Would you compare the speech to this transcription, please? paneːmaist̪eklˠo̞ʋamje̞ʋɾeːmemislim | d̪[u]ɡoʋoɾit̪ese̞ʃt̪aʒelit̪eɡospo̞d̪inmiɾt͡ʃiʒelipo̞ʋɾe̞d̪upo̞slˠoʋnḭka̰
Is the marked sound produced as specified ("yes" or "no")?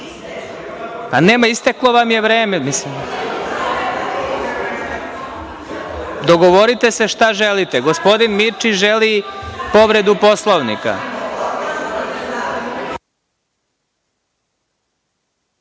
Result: no